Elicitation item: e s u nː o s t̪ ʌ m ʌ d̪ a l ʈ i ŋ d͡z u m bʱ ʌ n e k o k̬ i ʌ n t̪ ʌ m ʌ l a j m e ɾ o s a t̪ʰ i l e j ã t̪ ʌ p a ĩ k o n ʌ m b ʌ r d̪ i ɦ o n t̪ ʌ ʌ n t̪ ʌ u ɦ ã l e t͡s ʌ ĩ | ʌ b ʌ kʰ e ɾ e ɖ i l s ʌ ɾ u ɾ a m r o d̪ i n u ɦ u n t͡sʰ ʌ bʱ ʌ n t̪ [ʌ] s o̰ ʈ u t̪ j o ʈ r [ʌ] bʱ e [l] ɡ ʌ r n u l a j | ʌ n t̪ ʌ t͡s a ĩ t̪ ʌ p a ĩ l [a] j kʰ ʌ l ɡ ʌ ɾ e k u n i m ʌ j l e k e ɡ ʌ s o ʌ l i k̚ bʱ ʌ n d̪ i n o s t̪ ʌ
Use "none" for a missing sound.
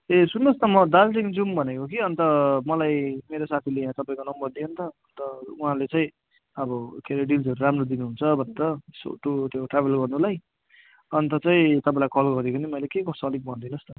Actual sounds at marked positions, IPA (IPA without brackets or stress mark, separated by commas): ʌ, a, l, a